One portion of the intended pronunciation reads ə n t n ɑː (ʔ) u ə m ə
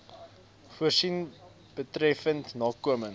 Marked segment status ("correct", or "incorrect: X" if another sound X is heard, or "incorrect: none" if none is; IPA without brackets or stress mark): incorrect: k